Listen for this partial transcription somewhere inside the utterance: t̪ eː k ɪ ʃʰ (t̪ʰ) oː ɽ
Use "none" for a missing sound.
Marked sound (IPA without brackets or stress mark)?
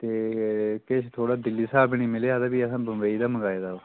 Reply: t̪ʰ